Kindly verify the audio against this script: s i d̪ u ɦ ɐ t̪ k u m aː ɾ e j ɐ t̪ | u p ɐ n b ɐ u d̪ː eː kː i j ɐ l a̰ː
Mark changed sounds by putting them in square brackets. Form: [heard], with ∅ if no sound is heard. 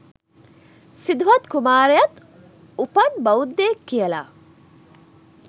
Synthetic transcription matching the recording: s i d̪ u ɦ ɐ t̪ k u m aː ɾ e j ɐ t̪ | u p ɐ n b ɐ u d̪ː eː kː i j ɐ l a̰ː